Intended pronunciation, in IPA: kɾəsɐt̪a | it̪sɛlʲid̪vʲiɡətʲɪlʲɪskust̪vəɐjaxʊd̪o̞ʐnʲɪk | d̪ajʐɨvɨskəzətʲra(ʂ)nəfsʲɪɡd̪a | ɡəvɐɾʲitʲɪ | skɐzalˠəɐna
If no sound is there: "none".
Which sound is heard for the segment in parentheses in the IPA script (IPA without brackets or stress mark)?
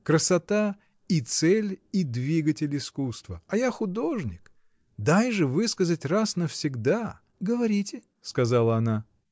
s